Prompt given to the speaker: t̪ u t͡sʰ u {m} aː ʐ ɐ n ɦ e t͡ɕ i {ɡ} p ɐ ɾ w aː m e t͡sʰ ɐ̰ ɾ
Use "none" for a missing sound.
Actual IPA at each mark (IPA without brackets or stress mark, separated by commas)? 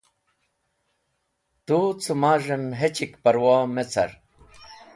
m, k